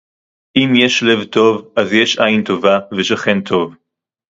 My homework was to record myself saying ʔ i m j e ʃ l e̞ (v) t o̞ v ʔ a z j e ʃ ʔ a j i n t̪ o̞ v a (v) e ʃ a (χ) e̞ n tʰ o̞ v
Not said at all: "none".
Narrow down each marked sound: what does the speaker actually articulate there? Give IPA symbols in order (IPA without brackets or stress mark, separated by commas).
v, v, χ